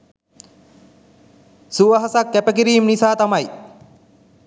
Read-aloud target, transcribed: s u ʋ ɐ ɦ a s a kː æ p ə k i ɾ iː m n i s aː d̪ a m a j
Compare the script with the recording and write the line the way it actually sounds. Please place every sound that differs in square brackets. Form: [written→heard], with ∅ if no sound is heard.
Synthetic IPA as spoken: s u ʋ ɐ ɦ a s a kː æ p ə k i ɾ iː m n i s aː [d̪→t̪] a m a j